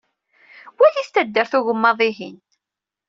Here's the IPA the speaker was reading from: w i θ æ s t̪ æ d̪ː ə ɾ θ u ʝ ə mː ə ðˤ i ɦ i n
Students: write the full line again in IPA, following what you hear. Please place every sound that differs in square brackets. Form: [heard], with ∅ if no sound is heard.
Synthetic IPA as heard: w [æ] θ [i] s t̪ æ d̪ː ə ɾ θ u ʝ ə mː [ɑ] ðˤ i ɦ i n